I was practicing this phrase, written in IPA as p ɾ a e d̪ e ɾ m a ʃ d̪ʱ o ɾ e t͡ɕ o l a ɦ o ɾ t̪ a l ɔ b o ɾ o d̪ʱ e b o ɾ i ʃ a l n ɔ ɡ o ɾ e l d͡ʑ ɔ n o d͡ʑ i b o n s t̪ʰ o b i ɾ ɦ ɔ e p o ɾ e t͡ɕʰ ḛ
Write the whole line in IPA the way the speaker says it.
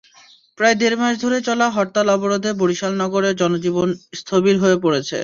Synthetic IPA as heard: p ɾ a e d̪ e ɾ m a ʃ d̪ʱ o ɾ e t͡ɕ ɔ l a ɦ ɔ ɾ t̪ a l ɔ b o ɾ o d̪ʱ e b o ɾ i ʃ a l n ɔ ɡ o ɾ e ɾ d͡ʑ ɔ n o d͡ʑ i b o n s t̪ʰ o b i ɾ ɦ o e p o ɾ e t͡ɕʰ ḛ